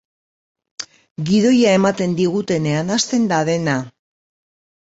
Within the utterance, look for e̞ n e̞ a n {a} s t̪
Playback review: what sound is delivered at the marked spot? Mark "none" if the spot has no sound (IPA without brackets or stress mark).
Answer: a